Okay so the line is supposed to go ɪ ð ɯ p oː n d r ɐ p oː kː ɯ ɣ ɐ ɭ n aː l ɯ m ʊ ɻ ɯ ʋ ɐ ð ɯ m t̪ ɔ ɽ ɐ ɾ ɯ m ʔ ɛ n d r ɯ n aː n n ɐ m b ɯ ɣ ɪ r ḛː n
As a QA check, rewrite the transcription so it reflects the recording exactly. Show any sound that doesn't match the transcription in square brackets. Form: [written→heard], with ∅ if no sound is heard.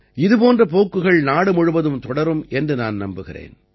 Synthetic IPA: ɪ ð ɯ p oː n d r ɐ p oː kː ɯ ɣ ɐ ɭ n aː [l→ɽ] ɯ m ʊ ɻ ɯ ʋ ɐ ð ɯ m t̪ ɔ ɽ ɐ ɾ ɯ m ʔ ɛ n d r ɯ n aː n n ɐ m b ɯ ɣ ɪ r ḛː n